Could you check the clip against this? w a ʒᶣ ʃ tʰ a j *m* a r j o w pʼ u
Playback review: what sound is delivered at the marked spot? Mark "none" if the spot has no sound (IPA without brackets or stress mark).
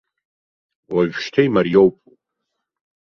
m